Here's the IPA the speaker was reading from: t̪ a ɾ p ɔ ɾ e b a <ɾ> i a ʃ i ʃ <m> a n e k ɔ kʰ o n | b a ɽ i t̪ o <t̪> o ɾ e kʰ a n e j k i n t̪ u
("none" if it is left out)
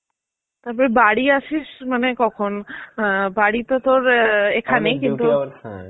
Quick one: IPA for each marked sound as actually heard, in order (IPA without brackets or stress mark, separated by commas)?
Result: ɽ, m, t̪